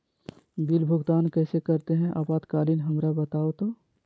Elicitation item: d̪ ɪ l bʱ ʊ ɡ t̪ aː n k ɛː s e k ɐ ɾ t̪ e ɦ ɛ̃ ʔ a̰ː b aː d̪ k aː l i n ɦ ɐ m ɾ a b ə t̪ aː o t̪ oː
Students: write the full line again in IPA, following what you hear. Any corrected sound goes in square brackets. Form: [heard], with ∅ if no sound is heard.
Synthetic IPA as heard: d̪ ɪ l bʱ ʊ ɡ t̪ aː n k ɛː s e k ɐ ɾ t̪ e ɦ ɛ̃ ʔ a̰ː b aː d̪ k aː l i n ɦ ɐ m ɾ a b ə t̪ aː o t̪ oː

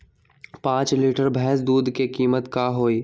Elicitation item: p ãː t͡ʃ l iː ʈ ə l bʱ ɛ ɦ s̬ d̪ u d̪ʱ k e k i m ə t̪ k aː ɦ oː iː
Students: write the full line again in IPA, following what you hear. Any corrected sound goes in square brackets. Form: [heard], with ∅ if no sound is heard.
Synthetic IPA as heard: p ãː t͡ʃ l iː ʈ ə [ɾ] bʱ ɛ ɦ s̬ d̪ [uː] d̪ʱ k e k [iː] m ə t̪ k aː ɦ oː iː

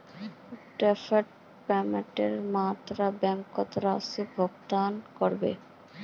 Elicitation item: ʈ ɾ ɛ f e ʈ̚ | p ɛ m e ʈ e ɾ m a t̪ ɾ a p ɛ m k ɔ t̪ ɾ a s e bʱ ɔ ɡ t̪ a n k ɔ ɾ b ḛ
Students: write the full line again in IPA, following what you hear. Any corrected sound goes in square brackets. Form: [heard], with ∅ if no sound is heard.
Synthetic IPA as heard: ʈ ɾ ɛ f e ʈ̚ | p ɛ m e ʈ e ɾ m a t̪ ɾ a [b] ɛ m k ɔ t̪ ɾ a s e bʱ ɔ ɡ t̪ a n k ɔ ɾ b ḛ

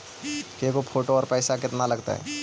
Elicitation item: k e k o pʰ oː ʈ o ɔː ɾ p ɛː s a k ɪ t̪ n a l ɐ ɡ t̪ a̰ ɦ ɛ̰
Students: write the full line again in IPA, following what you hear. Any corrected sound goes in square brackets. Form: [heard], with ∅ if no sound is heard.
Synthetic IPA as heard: k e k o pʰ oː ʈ o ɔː ɾ p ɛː s a k ɪ t̪ n a l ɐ ɡ t̪ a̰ ɦ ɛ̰

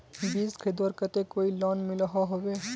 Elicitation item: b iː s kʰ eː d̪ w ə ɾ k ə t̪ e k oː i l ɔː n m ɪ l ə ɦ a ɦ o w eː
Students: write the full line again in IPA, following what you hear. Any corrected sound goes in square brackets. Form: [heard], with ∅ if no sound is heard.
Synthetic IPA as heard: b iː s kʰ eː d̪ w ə ɾ k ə t̪ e k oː i l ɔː n m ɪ l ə ɦ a ɦ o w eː

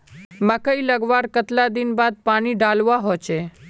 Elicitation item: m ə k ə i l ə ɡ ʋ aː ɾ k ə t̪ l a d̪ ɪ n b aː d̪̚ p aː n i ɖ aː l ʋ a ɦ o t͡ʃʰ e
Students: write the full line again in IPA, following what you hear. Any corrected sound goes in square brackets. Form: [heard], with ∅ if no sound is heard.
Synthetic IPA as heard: m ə k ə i l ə ɡ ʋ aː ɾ k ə t̪ l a d̪ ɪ n b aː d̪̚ p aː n i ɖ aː l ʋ a ɦ o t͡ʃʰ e

